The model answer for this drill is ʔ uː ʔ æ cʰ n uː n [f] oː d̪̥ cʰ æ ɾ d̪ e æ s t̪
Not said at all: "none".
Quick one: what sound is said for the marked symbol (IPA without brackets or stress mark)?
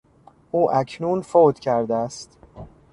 f